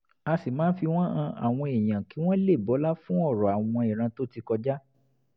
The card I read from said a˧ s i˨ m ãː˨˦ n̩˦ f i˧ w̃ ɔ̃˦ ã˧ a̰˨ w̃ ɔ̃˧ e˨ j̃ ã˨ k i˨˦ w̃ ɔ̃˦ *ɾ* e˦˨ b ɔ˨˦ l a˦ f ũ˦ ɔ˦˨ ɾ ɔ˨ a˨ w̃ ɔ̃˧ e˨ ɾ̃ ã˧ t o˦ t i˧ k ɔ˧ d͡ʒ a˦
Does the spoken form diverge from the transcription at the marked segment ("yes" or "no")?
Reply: yes